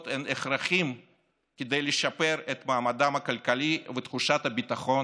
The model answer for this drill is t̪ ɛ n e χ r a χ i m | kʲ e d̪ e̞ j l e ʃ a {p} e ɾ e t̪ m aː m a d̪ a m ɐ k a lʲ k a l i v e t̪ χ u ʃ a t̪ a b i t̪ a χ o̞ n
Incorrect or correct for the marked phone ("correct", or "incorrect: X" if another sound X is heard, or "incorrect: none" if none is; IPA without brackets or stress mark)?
correct